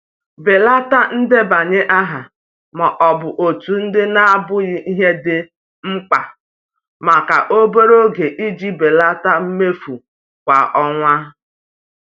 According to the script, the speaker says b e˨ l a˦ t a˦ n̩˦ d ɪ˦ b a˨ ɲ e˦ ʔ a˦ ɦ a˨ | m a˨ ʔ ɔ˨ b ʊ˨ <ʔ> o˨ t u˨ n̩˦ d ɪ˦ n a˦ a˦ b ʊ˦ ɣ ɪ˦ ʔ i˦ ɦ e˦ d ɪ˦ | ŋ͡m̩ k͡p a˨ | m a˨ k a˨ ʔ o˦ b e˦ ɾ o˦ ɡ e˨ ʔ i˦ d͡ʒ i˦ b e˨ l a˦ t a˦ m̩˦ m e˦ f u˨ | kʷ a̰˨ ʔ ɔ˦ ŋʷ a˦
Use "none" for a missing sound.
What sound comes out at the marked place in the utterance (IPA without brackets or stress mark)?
ʔ